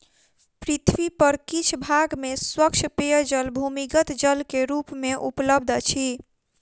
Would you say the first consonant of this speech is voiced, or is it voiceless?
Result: voiceless